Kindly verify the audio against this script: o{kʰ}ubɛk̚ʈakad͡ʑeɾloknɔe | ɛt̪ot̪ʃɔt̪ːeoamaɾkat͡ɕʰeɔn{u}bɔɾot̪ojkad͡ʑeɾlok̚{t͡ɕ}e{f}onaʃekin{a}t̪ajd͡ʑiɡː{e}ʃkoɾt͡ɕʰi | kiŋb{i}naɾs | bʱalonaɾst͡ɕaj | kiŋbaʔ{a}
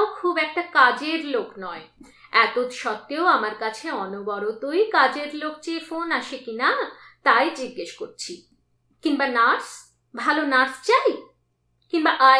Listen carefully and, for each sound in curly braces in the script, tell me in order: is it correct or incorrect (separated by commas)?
correct, incorrect, correct, correct, correct, correct, incorrect, correct